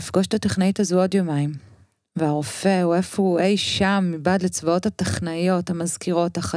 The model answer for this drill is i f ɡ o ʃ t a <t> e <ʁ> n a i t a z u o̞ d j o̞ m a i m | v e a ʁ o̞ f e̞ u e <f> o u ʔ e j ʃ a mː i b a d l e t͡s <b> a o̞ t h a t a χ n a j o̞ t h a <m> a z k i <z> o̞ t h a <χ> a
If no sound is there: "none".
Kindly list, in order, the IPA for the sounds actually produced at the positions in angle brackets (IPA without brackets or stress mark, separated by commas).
t, χ, f, v, m, ʁ, χ